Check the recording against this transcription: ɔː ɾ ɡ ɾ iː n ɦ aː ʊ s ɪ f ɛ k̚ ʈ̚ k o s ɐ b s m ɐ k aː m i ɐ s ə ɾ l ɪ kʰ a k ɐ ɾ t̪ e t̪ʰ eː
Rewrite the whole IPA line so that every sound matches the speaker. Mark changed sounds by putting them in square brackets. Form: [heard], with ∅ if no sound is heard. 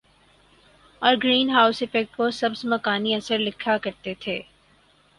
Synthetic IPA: ɔː ɾ ɡ ɾ iː n ɦ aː ʊ s ɪ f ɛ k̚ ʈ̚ k o s ɐ b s m ɐ k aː [n] i ɐ s ə ɾ l ɪ kʰ a k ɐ ɾ t̪ e t̪ʰ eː